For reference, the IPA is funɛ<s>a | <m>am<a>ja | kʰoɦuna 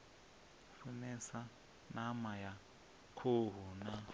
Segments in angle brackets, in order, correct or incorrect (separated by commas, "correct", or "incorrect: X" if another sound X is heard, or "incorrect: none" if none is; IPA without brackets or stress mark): correct, incorrect: n, correct